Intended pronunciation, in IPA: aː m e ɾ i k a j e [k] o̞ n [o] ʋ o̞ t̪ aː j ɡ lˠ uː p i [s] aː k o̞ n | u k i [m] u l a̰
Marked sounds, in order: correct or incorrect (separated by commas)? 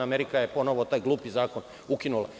incorrect, correct, incorrect, incorrect